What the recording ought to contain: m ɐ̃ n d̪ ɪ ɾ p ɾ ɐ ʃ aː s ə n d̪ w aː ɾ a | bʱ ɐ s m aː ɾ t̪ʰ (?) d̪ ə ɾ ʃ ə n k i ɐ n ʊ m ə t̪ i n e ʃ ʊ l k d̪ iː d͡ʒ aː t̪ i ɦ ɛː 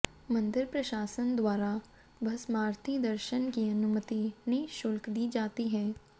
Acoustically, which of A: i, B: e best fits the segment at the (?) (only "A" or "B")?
A